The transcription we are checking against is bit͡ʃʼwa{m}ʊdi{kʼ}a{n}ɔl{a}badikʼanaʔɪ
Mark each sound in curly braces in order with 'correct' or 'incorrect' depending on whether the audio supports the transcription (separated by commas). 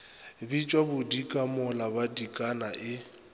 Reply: incorrect, correct, incorrect, correct